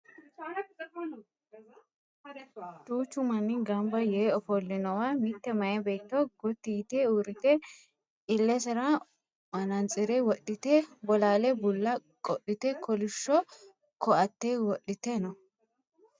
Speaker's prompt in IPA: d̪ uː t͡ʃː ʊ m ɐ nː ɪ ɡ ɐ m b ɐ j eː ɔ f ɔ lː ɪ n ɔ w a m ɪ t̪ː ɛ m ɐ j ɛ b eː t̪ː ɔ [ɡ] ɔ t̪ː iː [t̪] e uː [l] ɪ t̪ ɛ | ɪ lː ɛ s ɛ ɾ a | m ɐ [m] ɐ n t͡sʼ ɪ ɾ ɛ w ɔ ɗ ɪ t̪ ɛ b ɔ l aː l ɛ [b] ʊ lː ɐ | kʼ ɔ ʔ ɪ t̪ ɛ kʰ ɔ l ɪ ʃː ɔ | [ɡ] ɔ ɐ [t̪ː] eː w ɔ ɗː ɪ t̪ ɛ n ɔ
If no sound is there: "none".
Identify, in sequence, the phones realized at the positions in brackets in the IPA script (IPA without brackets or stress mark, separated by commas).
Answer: ɡ, t̪, ɾ, n, b, k, t̪ː